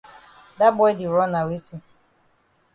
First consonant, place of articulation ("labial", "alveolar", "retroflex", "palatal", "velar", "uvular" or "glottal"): alveolar